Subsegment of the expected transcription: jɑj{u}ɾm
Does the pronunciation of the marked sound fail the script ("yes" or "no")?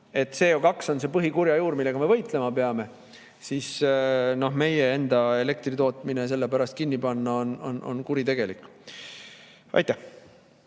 yes